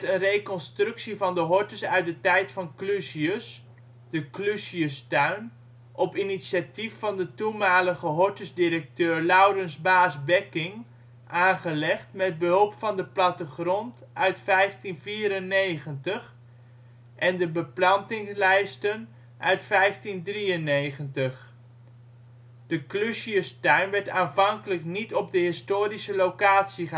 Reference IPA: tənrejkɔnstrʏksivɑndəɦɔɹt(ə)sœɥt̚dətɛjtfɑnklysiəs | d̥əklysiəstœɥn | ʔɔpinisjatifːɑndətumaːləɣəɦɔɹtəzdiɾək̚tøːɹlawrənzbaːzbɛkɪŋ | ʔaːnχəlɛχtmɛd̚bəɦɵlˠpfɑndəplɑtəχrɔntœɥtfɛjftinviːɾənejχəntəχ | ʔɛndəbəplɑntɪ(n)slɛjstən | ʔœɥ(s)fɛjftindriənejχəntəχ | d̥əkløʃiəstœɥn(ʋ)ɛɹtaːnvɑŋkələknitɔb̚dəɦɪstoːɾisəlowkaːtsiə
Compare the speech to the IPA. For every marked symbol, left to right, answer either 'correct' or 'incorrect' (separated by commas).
correct, incorrect, incorrect, correct